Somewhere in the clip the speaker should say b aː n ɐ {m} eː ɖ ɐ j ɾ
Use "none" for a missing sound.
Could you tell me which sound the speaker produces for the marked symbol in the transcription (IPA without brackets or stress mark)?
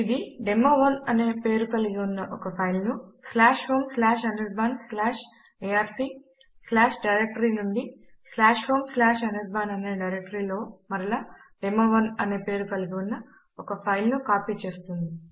n